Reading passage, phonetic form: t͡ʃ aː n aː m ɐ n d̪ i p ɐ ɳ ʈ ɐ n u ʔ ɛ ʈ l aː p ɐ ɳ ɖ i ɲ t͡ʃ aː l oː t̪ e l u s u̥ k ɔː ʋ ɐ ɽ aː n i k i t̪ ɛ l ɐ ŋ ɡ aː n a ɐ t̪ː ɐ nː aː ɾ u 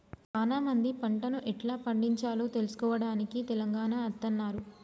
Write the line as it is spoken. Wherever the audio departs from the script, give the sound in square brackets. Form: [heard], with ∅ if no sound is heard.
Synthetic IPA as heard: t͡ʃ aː n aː m ɐ n d̪ i p ɐ ɳ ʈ ɐ n u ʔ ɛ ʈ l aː p ɐ ɳ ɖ i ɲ t͡ʃ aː l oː t̪ e l u s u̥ k ɔː ʋ ɐ ɽ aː n i k i t̪ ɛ l ɐ ŋ ɡ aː n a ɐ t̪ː ɐ nː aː ɾ u